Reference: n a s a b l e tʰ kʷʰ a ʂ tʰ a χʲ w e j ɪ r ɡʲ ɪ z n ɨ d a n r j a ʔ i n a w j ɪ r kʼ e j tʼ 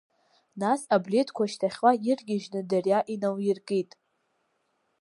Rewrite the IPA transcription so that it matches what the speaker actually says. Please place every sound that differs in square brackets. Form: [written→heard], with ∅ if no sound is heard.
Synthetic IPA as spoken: n a s a b l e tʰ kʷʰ a [ʂ→ʃ] tʰ a χʲ w [e→a] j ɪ r ɡʲ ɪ [z→ʒ] n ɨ d a [n→∅] r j a ʔ i n a w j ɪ r kʼ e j tʼ